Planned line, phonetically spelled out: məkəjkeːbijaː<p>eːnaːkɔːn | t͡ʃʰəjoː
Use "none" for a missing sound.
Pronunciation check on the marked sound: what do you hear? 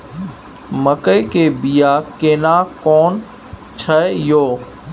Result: k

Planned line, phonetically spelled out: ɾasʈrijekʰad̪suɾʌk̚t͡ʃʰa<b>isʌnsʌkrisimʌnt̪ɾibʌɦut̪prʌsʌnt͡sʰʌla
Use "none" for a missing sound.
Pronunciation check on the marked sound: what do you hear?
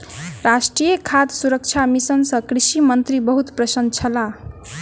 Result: m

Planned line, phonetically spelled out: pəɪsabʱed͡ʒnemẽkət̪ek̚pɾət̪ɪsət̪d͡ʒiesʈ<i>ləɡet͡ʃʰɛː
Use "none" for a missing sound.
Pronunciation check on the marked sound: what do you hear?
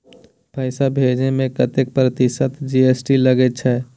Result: i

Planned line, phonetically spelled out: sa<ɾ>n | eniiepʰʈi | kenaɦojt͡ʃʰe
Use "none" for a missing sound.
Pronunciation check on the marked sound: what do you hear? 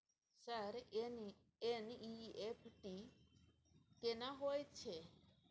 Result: ɾ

